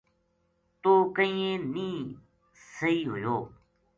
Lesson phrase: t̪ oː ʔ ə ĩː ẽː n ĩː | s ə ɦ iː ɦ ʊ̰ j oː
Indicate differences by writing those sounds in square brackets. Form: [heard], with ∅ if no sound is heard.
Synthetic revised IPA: t̪ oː [k] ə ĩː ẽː n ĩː | s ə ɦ iː ɦ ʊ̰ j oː